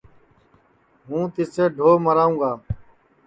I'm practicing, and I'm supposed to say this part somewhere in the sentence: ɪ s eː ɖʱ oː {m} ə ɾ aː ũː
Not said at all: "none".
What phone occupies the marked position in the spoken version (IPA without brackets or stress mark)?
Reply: m